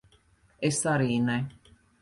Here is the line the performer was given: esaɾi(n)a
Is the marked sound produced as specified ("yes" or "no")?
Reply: yes